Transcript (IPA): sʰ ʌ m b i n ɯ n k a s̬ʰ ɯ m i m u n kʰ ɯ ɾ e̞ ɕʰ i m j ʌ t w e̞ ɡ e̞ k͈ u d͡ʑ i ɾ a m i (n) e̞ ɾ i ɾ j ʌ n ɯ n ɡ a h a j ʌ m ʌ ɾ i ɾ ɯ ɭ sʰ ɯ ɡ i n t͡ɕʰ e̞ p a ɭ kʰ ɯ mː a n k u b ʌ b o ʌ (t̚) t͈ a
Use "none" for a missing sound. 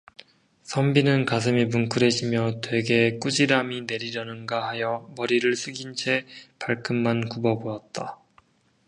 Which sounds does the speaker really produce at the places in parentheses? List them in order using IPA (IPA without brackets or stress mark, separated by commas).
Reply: n, t̚